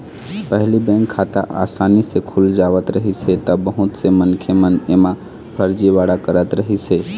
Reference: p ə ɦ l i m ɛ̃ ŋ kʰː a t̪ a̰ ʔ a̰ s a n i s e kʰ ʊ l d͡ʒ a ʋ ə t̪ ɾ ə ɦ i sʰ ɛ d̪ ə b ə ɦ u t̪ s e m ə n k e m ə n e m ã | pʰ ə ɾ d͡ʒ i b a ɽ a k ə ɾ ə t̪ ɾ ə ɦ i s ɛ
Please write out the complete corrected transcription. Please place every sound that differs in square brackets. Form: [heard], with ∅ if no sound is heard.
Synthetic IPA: p ə ɦ l i [b] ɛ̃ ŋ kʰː a t̪ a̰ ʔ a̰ s a n i s e kʰ [u] l d͡ʒ a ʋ ə t̪ ɾ ə ɦ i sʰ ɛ [t̪] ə b ə ɦ u t̪ s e m ə n [kʰ] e m ə n e m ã | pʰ ə ɾ d͡ʒ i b a ɽ a k ə ɾ ə t̪ ɾ ə ɦ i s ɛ